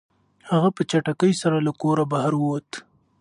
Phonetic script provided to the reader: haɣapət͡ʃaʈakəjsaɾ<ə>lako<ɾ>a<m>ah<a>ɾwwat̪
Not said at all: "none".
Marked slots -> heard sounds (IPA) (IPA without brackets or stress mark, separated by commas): a, ɾ, b, a